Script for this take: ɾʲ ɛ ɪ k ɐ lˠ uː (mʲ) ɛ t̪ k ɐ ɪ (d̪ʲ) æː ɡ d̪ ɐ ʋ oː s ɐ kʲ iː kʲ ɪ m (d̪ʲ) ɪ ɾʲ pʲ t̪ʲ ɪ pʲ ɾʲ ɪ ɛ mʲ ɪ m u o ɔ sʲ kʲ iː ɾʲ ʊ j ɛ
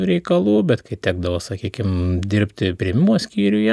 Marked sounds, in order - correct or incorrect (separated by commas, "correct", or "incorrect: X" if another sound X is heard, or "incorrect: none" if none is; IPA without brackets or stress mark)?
incorrect: bʲ, incorrect: t̪ʲ, correct